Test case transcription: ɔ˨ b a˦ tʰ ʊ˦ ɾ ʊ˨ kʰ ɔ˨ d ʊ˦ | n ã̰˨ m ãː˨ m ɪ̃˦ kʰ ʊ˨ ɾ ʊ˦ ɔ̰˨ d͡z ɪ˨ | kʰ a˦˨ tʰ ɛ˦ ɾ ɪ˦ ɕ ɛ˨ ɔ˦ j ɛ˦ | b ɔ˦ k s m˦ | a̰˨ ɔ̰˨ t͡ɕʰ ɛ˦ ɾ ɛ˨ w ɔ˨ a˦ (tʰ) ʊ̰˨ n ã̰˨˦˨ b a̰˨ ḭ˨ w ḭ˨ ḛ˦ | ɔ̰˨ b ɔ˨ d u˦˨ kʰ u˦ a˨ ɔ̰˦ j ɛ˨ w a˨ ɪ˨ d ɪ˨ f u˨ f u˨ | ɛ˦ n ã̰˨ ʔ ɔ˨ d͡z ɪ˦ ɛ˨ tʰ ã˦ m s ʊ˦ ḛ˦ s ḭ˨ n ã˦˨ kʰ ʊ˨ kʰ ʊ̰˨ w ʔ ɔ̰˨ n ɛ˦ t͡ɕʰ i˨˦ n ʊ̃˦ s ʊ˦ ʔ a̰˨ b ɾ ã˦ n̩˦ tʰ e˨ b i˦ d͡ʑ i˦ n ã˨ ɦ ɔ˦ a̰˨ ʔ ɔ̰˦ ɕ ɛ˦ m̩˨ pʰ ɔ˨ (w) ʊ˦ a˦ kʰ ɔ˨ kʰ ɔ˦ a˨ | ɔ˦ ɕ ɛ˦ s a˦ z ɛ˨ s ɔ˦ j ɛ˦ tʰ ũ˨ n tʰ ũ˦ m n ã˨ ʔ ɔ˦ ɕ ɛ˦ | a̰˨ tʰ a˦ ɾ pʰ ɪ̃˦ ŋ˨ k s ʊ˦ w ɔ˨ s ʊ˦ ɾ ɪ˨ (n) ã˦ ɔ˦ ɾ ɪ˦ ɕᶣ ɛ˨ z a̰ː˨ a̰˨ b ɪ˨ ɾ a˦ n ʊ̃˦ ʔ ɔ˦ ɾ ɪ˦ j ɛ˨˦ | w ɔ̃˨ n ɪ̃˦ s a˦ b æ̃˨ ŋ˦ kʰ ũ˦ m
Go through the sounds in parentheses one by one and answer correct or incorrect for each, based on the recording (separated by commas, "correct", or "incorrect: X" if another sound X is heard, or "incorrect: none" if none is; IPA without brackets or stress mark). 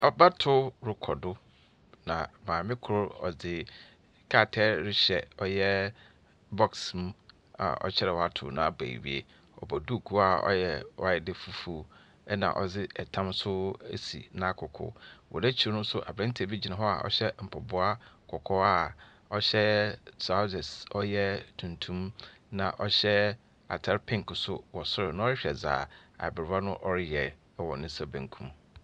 correct, incorrect: b, correct